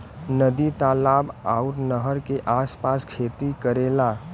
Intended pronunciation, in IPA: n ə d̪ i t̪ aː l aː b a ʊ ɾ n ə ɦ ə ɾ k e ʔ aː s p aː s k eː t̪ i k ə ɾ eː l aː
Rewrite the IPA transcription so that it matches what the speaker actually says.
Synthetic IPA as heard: n ə d̪ i t̪ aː l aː b a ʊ ɾ n ə ɦ ə ɾ k e ʔ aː s p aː s kʰ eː t̪ i k ə ɾ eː l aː